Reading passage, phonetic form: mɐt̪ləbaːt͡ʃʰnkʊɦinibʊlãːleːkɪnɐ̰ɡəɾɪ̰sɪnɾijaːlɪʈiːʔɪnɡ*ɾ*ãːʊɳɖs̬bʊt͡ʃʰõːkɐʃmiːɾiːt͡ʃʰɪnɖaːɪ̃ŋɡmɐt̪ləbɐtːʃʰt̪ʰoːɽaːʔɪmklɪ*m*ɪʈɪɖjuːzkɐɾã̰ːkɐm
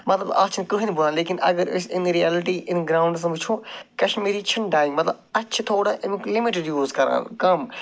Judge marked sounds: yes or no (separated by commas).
yes, yes